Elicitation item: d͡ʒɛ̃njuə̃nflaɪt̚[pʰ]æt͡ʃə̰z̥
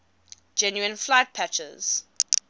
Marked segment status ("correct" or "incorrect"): correct